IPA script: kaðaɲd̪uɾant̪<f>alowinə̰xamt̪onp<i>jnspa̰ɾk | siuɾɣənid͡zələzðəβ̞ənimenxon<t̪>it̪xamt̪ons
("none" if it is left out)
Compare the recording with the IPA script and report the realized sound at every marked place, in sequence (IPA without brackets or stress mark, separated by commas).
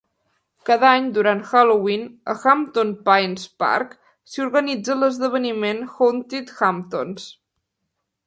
x, a, t̪